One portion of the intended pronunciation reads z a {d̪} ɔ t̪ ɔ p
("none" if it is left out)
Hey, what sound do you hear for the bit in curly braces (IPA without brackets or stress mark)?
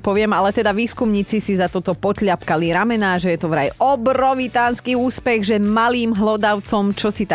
t̪